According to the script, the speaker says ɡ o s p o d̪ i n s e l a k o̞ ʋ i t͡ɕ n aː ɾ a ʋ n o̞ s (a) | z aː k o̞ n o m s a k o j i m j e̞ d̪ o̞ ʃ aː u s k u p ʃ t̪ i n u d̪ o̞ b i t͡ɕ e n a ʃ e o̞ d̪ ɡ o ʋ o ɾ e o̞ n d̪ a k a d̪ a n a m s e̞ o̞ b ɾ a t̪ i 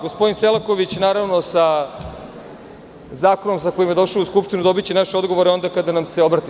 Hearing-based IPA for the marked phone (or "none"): a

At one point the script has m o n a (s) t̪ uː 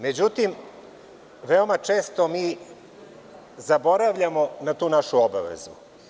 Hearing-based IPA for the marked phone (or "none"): none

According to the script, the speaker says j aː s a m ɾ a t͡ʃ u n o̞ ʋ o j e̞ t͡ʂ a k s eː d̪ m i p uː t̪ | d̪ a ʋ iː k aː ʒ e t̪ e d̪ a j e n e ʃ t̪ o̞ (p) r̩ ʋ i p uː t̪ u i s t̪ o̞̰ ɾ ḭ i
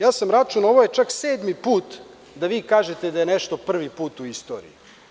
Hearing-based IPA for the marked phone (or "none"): p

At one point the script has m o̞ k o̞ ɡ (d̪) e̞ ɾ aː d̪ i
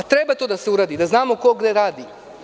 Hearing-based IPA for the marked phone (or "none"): d̪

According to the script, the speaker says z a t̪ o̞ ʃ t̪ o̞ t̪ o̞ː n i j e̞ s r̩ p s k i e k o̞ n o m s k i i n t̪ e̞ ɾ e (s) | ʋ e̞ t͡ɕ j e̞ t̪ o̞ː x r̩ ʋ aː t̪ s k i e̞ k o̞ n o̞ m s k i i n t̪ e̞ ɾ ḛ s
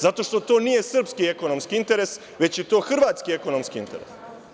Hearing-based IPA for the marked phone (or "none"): s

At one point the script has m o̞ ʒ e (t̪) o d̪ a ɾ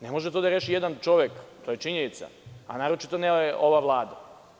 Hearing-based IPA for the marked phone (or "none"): t̪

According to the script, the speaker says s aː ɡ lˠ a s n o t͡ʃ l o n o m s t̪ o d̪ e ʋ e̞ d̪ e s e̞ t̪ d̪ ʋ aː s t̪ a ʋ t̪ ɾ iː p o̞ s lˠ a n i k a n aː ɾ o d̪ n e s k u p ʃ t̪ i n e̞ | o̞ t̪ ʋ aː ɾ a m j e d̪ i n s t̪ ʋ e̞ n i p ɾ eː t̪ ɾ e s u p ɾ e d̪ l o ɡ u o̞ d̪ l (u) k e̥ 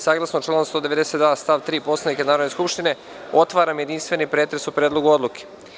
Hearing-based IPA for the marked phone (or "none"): u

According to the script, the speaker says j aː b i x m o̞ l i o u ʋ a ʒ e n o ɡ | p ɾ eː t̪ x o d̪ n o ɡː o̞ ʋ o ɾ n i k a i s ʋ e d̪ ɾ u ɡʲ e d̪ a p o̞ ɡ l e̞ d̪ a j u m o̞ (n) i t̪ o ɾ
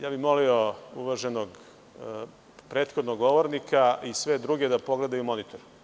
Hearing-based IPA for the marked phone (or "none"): n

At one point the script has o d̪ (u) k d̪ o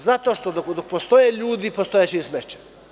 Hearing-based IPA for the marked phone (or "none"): o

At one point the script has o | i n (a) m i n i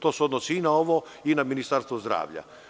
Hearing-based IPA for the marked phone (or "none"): a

